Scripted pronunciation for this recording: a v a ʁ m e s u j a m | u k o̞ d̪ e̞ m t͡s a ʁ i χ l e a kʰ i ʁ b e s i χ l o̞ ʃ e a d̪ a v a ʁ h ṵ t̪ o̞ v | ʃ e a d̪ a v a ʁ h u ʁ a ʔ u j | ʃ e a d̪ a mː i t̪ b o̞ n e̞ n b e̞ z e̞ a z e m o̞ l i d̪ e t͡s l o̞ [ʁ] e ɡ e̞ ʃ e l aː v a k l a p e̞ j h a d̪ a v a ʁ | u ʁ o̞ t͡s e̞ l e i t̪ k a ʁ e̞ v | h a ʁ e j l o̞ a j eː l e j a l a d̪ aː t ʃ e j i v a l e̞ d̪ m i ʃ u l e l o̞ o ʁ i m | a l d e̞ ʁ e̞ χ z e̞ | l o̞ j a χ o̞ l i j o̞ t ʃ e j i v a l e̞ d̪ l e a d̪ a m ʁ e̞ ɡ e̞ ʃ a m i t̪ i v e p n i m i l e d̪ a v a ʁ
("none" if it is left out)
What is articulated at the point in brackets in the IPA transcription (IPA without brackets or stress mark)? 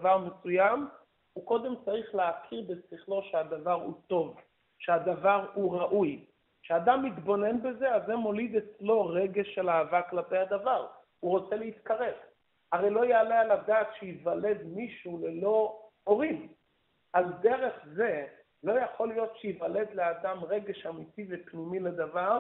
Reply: ʁ